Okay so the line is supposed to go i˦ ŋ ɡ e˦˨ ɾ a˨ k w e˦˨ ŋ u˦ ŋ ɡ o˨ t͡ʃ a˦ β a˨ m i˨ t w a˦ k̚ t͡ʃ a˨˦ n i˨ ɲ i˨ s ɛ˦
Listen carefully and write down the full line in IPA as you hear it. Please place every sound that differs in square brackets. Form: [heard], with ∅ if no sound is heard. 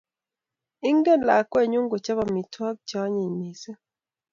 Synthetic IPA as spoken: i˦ ŋ ɡ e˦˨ [l] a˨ k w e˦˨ [ɲ] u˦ ŋ ɡ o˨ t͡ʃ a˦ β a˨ m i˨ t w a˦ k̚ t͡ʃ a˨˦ [ɲ] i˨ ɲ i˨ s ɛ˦